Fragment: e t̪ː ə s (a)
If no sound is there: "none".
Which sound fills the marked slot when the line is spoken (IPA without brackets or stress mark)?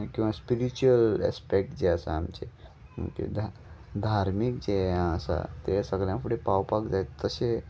e